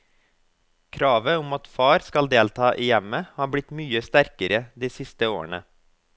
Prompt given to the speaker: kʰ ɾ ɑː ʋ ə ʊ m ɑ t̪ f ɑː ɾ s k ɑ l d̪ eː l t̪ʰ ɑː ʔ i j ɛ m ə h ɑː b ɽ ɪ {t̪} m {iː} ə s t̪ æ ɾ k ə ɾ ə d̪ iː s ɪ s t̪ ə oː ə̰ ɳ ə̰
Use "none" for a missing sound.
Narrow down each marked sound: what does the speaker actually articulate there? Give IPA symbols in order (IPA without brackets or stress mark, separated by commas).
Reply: t̪, yː